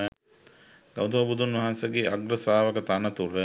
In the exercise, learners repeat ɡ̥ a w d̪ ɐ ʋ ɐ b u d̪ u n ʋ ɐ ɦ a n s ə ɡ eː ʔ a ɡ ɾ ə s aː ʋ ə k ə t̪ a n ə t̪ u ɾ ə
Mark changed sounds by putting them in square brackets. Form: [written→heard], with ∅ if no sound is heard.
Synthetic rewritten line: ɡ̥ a w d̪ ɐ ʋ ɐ b u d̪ u n ʋ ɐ ɦ a n s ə ɡ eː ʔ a ɡ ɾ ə s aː ʋ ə k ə t̪ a n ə t̪ u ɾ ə